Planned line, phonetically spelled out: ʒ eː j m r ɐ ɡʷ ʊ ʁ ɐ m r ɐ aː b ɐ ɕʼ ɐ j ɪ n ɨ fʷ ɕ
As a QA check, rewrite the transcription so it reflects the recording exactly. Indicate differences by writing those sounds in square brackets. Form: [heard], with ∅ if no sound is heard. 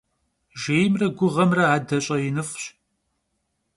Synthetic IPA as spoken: ʒ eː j m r ɐ ɡʷ ʊ ʁ ɐ m r ɐ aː [d] ɐ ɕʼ ɐ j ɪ n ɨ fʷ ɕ